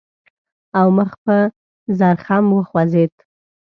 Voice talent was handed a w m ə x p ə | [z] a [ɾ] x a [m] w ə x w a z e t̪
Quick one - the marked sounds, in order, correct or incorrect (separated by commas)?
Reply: correct, correct, correct